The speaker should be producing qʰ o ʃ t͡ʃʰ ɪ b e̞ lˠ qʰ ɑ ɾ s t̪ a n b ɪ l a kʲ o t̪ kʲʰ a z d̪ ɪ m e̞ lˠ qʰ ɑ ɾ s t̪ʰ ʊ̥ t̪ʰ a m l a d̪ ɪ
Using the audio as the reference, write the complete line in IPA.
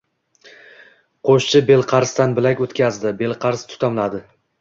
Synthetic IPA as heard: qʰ o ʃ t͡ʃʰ ɪ b e̞ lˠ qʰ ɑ ɾ s t̪ a n b ɪ l a kʲ o t̪ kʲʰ a z d̪ ɪ b e̞ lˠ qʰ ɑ ɾ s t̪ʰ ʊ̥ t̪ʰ a m l a d̪ ɪ